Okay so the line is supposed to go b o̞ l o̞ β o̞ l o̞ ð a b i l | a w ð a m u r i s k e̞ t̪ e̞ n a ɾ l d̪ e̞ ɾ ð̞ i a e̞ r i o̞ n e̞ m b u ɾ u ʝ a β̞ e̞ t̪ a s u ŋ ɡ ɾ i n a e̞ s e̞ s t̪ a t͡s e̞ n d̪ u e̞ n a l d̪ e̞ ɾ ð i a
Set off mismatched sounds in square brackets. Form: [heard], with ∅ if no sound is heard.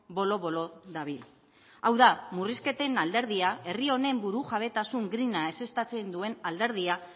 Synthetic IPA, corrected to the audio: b o̞ l o̞ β o̞ l o̞ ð a [β] i l | a w ð a m u r i s k e̞ t̪ e̞ n a [∅] l d̪ e̞ ɾ ð̞ i a e̞ r i o̞ n e̞ m b u ɾ u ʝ a β̞ e̞ t̪ a s u ŋ ɡ ɾ i n a e̞ s e̞ s t̪ a t͡s e̞ n d̪ u e̞ n a l d̪ e̞ ɾ ð i a